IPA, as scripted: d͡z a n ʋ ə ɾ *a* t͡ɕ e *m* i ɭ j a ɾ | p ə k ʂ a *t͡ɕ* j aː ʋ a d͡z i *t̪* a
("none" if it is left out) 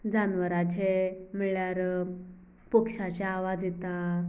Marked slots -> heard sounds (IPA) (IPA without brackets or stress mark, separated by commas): a, m, t͡ɕ, t̪